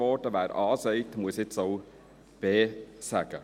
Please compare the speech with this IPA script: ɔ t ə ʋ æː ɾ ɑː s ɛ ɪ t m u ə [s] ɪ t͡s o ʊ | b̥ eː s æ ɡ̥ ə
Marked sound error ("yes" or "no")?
no